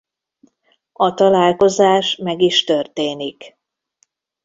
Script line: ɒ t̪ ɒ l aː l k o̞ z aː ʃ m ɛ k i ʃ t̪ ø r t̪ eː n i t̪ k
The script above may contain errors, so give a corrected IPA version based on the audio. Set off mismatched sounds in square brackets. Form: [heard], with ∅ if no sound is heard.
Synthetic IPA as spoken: ɒ t̪ ɒ l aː l k o̞ z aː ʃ m ɛ [ɡ] i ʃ t̪ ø r t̪ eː n i [∅] k